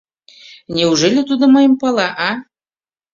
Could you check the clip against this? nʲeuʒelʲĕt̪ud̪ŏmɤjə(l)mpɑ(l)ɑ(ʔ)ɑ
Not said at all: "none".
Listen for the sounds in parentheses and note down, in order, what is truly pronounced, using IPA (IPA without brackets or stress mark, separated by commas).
none, l, ʔ